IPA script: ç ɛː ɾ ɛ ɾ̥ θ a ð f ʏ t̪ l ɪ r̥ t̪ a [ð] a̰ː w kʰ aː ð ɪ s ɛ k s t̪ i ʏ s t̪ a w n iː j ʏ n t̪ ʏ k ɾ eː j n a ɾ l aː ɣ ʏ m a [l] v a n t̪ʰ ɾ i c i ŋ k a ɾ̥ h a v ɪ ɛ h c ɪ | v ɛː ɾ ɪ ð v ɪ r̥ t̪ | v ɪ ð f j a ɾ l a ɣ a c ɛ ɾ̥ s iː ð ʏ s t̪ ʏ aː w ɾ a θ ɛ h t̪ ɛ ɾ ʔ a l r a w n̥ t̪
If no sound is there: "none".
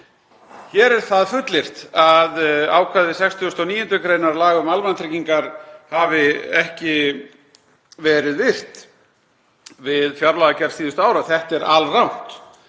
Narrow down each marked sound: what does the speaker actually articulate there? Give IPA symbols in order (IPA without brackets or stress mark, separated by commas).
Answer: ð, l